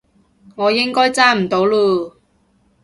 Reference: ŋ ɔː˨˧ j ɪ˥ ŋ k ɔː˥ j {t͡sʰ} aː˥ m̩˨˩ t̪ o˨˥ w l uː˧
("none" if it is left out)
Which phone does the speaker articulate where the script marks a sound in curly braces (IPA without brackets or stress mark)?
t͡s